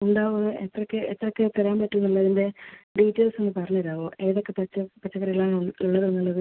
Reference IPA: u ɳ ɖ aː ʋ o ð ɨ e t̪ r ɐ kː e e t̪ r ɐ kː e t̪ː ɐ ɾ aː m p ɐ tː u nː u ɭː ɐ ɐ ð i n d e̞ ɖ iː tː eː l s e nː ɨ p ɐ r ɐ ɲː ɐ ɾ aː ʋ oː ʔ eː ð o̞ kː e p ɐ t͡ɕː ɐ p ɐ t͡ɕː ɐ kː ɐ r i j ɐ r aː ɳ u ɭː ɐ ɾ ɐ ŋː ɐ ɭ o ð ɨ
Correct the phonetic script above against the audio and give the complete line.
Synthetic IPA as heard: u ɳ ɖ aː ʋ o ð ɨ e t̪ r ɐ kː e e t̪ r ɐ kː e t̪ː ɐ ɾ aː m p ɐ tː u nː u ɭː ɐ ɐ ð i n d e̞ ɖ iː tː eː l s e nː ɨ p ɐ r ɐ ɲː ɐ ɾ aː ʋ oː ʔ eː ð o̞ kː e p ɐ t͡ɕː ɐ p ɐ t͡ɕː ɐ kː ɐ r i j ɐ ɭ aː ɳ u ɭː ɐ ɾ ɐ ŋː ɐ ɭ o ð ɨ